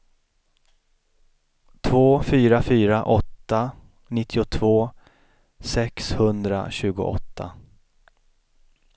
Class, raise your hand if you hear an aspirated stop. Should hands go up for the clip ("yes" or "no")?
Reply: yes